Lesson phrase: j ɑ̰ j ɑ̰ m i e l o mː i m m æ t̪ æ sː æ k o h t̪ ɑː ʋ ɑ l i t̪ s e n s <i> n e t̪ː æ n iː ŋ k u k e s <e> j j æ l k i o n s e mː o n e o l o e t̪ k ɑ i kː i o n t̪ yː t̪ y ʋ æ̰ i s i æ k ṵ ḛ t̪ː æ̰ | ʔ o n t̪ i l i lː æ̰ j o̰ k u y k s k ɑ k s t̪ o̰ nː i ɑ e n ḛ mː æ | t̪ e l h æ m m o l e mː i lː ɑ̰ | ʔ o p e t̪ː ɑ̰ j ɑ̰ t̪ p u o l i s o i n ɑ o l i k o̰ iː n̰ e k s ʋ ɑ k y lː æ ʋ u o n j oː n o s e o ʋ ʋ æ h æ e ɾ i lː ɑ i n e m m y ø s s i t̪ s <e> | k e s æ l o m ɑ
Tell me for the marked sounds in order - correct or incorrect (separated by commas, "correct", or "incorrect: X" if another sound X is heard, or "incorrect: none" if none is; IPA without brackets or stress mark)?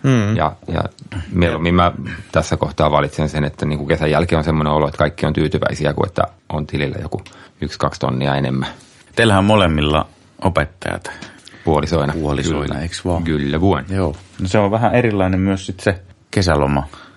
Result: incorrect: e, incorrect: æ, correct